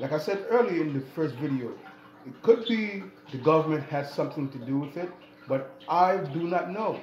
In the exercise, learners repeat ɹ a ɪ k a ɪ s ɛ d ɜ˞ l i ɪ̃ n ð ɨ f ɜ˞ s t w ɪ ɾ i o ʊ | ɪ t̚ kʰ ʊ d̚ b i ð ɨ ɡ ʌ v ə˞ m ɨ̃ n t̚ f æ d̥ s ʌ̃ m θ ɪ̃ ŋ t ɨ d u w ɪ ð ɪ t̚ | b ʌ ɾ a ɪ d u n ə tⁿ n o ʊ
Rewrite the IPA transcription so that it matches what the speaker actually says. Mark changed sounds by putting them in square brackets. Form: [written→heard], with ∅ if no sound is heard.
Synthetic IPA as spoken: [ɹ→l] a ɪ k a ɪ s ɛ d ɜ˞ l i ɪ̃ n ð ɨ f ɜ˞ s t [w→v] ɪ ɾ i o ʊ | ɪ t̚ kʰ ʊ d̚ b i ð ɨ ɡ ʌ v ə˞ m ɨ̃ n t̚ [f→h] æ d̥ s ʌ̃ m θ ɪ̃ ŋ t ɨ d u w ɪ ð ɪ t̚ | b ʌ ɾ a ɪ d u n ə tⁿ n o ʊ